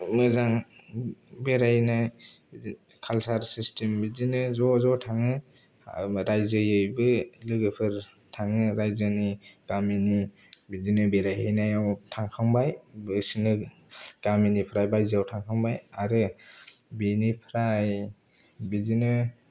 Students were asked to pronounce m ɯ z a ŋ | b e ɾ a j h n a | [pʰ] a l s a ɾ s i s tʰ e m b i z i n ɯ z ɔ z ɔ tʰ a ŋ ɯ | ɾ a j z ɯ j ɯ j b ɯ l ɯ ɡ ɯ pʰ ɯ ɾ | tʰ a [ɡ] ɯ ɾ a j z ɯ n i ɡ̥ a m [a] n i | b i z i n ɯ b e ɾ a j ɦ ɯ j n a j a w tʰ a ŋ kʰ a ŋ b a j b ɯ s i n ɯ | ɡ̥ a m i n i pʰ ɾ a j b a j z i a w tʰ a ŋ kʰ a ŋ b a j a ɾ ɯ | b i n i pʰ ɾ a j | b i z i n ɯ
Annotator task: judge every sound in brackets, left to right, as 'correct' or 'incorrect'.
incorrect, incorrect, incorrect

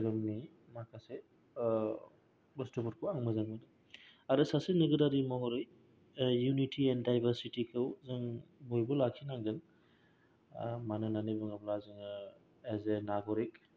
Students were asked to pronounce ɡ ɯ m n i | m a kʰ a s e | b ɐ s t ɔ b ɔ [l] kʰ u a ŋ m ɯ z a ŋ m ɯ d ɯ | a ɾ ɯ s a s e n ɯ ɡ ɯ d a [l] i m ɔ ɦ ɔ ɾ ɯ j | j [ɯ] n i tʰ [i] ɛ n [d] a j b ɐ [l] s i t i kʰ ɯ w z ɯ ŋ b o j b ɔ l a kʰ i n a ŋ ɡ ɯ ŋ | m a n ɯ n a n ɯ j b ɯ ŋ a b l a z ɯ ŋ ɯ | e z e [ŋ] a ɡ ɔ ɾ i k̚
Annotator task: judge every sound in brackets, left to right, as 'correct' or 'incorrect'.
incorrect, incorrect, incorrect, correct, correct, incorrect, incorrect

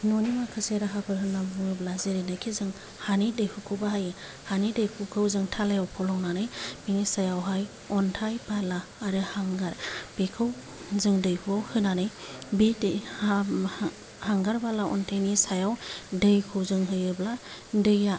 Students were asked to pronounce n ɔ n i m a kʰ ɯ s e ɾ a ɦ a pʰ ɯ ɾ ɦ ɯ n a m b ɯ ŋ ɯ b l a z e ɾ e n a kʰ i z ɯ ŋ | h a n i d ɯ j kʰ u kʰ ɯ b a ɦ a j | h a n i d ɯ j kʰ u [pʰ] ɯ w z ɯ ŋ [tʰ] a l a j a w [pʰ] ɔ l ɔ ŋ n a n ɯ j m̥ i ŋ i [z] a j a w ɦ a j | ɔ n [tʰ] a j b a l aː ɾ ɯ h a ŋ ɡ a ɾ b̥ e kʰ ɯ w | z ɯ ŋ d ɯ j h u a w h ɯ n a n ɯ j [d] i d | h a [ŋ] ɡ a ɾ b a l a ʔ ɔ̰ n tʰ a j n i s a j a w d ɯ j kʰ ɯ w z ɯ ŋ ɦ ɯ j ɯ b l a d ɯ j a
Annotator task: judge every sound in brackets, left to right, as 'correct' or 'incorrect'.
incorrect, correct, correct, incorrect, correct, incorrect, correct

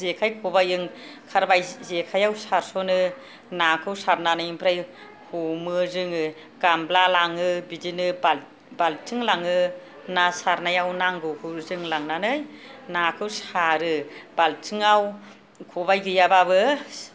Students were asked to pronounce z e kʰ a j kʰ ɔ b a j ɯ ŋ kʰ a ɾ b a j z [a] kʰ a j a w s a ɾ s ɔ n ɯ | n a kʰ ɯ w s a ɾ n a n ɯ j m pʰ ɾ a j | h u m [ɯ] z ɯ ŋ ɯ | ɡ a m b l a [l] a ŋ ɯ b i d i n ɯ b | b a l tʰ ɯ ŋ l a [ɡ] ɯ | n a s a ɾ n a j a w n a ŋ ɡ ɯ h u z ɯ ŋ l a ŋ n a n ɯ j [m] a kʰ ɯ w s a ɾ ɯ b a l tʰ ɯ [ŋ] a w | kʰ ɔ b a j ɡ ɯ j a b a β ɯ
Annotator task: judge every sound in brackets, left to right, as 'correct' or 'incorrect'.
incorrect, correct, correct, incorrect, incorrect, correct

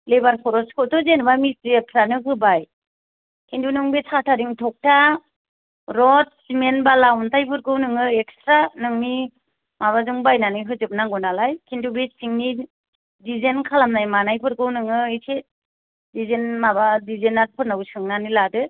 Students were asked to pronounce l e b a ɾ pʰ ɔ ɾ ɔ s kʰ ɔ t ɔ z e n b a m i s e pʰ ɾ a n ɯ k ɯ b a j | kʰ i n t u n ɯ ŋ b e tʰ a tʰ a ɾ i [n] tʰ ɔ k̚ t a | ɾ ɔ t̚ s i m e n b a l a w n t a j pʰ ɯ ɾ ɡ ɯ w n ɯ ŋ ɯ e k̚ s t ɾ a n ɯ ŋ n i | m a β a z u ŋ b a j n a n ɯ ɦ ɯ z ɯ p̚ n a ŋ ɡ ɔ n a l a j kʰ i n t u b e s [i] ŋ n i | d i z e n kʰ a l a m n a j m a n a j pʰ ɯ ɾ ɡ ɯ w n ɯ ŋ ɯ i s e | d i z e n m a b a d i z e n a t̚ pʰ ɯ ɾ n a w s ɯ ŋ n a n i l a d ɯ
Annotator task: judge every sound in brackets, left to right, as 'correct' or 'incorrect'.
incorrect, correct

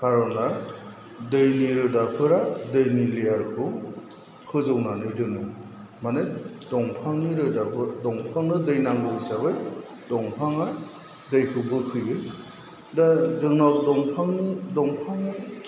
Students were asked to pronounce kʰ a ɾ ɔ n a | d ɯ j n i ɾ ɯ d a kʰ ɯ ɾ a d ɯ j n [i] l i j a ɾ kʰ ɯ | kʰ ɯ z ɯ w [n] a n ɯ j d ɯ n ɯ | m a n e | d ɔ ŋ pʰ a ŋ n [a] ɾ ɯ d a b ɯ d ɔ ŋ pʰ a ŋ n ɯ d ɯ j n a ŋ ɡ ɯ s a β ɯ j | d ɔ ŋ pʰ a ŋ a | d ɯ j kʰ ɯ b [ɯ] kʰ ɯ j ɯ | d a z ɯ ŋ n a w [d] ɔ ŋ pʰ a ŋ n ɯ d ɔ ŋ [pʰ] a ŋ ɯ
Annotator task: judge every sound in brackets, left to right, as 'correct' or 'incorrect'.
correct, correct, incorrect, correct, correct, correct

